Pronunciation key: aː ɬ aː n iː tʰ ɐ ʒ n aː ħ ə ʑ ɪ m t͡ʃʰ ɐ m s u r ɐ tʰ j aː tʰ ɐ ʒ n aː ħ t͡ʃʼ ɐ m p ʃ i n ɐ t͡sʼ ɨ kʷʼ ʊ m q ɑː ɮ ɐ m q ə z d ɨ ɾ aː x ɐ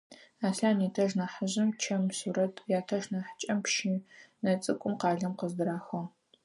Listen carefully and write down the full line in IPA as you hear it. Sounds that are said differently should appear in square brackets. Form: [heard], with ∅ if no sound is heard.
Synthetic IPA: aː ɬ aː n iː tʰ ɐ ʒ n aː ħ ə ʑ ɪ m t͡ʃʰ ɐ m s u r ɐ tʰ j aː tʰ ɐ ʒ n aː ħ t͡ʃʼ ɐ m p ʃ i n ɐ t͡sʼ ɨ kʷʼ ʊ m q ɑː ɮ ɐ m q ə z d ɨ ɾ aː x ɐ

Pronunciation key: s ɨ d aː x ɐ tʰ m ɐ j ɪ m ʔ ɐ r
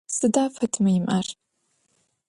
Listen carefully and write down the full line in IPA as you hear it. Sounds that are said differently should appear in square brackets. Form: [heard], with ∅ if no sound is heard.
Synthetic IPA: s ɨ d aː [f] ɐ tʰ m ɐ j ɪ m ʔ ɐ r

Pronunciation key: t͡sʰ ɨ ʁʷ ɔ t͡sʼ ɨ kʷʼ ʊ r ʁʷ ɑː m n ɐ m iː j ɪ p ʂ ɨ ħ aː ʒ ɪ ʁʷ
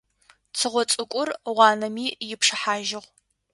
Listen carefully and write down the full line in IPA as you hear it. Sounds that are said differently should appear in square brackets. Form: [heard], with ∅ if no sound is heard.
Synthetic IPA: t͡sʰ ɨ ʁʷ ɔ t͡sʼ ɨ kʷʼ ʊ r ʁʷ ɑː [∅] n ɐ m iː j ɪ p ʂ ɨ ħ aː ʒ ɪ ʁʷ

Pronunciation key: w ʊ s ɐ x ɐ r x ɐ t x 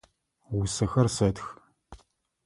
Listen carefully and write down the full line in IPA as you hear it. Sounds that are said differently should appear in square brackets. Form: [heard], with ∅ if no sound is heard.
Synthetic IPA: w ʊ s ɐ x ɐ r [s] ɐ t x

